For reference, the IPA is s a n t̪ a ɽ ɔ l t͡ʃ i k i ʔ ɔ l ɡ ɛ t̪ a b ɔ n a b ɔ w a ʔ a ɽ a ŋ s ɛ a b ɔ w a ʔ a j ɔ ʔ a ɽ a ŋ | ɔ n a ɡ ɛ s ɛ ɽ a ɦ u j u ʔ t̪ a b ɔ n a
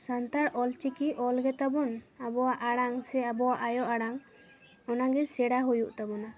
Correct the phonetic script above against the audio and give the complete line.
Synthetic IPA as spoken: s a n t̪ a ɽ ɔ l t͡ʃ i k i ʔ ɔ l ɡ ɛ t̪ a b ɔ n a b ɔ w a ʔ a ɽ a ŋ s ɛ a b ɔ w a ʔ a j ɔ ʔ a ɽ a ŋ | ɔ n a ɡ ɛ s ɛ ɽ a ɦ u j u ʔ t̪ a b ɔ n a